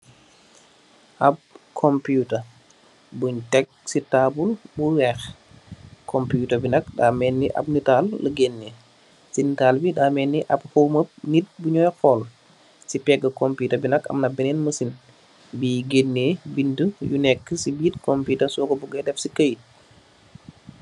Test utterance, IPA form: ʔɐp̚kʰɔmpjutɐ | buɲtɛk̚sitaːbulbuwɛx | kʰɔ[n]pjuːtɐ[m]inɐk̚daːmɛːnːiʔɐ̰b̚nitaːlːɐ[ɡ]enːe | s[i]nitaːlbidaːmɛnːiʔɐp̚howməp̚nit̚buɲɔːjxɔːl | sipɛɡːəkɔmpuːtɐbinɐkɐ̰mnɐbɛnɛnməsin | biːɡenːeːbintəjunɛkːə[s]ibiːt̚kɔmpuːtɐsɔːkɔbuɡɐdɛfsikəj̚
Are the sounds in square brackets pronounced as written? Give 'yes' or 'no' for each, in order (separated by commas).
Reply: no, no, yes, yes, yes